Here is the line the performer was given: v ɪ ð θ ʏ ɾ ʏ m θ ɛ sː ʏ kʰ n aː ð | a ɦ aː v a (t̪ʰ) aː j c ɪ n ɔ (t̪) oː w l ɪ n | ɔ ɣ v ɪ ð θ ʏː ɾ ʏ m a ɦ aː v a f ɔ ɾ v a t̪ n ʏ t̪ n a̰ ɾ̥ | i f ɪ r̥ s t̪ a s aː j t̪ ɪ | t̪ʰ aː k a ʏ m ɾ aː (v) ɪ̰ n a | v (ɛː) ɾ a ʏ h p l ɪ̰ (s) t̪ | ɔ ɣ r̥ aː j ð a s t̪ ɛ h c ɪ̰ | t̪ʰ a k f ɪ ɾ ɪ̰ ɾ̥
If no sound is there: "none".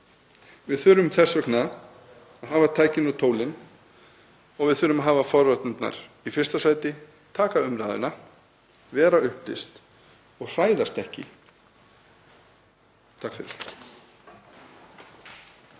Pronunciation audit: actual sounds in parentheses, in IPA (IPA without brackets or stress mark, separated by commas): t̪ʰ, t̪ʰ, ð, ɛː, s